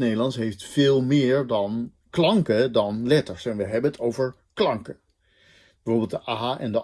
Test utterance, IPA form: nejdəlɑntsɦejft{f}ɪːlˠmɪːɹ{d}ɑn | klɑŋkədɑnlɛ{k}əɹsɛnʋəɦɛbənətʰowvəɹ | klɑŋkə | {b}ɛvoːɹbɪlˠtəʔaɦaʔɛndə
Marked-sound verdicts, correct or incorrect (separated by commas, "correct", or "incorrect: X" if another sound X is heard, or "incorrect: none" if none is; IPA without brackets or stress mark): correct, correct, incorrect: t, correct